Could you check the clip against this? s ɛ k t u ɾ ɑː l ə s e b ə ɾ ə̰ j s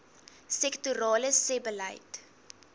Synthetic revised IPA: s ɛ k t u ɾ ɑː l ə s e b ə l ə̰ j t